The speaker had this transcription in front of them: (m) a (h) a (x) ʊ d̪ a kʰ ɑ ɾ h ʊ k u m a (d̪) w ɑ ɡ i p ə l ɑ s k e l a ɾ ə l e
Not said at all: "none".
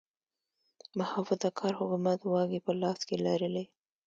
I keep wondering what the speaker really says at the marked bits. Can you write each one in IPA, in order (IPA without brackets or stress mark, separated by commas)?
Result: m, h, f, t̪